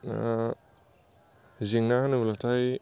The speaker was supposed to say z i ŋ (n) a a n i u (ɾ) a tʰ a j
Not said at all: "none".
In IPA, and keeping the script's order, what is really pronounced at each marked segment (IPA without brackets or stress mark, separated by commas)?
n, l